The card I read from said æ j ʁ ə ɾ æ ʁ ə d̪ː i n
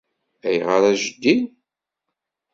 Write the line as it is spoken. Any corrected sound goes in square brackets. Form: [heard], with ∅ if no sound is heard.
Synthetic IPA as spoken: æ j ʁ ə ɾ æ [ʒ] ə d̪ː i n